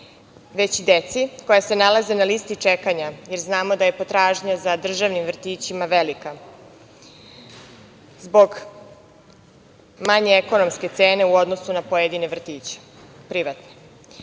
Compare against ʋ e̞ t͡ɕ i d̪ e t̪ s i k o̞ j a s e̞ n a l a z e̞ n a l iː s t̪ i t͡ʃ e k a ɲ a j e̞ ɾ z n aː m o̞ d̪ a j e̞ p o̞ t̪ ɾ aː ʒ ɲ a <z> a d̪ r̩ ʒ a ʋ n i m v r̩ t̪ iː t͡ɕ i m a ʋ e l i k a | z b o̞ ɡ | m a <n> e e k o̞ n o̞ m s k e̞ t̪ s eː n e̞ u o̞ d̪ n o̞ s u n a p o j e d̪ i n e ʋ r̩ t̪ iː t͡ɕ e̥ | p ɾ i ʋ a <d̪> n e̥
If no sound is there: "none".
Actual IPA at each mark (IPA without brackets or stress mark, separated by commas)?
z, ɲ, t̪